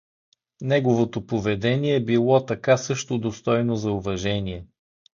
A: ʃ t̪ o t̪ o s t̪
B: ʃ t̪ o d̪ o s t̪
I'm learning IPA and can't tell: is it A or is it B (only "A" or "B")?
B